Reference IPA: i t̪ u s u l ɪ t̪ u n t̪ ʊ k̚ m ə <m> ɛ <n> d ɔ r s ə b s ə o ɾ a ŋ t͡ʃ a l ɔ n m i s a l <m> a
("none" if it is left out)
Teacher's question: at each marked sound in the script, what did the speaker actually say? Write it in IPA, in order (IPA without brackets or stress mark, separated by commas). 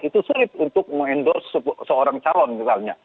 ŋ, n, ɲ